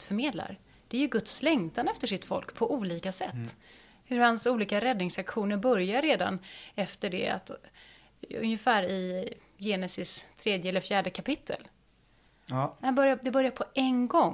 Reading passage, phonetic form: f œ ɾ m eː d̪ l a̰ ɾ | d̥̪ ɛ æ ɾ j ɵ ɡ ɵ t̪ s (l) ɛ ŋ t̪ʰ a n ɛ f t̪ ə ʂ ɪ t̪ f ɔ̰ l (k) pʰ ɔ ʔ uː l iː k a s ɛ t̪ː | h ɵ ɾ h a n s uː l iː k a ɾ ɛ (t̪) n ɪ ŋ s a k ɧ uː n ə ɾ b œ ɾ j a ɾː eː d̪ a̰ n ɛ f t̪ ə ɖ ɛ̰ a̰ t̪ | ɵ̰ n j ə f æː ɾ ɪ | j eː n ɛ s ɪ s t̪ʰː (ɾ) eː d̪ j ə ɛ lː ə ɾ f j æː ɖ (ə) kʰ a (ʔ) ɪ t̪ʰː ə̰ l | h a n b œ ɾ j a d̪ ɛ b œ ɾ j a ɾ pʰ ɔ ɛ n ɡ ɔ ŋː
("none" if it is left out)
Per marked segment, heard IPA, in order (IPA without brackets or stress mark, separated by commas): l, k, d̪, ɾ, ə, p